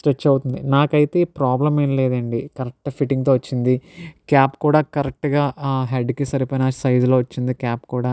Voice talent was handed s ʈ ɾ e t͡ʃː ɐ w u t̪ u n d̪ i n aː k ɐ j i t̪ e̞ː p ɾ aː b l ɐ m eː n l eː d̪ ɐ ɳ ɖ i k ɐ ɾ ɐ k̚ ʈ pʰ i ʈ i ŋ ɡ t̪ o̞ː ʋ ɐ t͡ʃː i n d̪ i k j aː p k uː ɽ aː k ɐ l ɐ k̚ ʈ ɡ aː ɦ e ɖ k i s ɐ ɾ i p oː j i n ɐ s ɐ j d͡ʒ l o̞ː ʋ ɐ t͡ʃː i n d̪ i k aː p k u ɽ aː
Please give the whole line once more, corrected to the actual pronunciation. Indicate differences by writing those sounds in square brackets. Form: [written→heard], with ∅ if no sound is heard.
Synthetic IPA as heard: s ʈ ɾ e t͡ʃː ɐ w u t̪ u n d̪ i n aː k ɐ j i t̪ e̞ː p ɾ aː b l ɐ m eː n l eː d̪ ɐ ɳ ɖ i k ɐ ɾ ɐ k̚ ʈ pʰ i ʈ i ŋ ɡ t̪ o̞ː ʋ ɐ t͡ʃː i n d̪ i k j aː p k uː ɽ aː k ɐ [l→ɾ] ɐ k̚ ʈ ɡ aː ɦ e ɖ k i s ɐ ɾ i p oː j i n ɐ s ɐ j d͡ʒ l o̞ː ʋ ɐ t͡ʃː i n d̪ i k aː p k [u→uː] ɽ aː